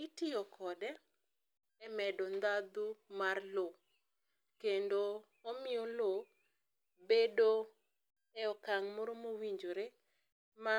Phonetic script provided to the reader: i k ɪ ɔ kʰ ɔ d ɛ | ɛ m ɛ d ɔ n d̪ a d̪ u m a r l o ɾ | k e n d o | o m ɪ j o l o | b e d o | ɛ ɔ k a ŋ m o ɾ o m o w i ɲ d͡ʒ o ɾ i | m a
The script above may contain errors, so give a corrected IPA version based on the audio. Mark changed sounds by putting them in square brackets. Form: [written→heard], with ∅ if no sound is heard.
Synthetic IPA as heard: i [k→t] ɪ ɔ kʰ ɔ d ɛ | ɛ m ɛ d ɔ n d̪ a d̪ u m a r l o [ɾ→∅] | k e n d o | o m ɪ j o l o | b e d o | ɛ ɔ k a ŋ m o ɾ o m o w i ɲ d͡ʒ o ɾ [i→e] | m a